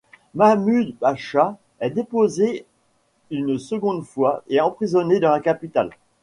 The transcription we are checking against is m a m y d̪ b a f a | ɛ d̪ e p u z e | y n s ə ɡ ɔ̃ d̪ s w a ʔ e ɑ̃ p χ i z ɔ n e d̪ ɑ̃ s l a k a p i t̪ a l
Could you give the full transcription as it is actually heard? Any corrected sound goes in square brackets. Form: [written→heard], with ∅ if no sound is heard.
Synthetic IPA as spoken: m a m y d̪ b a [f→ʃ] a | ɛ d̪ e p [u→o] z e | y n s ə ɡ ɔ̃ d̪ [s→f] w a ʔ e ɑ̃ p χ i z ɔ n e d̪ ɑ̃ [s→∅] l a k a p i t̪ a l